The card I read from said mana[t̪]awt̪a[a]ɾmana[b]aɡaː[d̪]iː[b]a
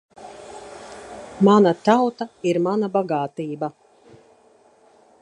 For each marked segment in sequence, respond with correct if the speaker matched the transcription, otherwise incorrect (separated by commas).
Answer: correct, incorrect, correct, incorrect, correct